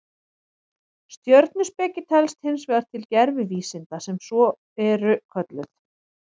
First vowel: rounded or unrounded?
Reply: rounded